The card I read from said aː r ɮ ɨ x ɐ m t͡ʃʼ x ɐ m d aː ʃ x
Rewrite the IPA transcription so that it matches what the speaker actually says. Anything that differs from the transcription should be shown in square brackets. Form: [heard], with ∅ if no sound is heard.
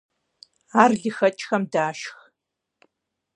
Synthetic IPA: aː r ɮ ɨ x ɐ [∅] t͡ʃʼ x ɐ m d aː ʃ x